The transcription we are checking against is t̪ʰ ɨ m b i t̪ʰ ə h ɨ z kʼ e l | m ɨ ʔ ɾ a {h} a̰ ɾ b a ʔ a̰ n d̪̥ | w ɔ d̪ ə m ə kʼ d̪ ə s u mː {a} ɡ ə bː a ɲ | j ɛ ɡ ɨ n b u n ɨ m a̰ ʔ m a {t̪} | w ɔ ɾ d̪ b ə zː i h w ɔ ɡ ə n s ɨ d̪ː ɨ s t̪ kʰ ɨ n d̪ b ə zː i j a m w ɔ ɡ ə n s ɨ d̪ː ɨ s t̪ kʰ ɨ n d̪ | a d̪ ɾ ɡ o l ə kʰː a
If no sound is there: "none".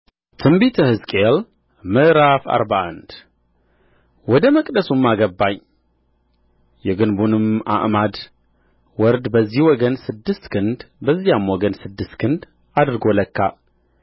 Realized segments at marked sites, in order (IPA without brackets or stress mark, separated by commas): f, a, d̪